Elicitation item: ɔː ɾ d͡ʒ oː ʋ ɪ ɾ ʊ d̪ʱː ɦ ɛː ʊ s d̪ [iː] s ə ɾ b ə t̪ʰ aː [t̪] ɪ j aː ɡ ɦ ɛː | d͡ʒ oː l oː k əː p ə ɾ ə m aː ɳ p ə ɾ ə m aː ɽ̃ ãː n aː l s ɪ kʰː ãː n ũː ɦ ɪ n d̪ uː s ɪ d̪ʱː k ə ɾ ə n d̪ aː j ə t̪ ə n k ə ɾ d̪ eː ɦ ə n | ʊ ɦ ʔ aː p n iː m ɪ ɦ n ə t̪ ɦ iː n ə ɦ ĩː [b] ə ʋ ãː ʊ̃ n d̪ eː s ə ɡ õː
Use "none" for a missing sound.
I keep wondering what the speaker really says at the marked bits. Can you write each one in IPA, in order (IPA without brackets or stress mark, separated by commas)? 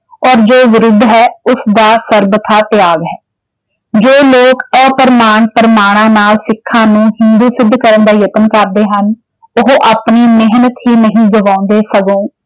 aː, t̪, ɡ